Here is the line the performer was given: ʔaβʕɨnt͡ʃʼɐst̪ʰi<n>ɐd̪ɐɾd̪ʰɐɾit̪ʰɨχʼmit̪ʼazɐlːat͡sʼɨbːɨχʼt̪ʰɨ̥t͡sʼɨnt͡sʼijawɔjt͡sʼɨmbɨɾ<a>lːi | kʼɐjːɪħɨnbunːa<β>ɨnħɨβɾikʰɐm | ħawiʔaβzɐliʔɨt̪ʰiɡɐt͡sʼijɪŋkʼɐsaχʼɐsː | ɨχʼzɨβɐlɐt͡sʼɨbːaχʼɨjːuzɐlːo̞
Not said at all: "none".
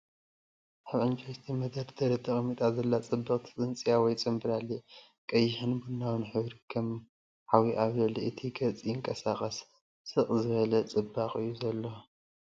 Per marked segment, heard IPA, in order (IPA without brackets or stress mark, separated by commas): m, a, w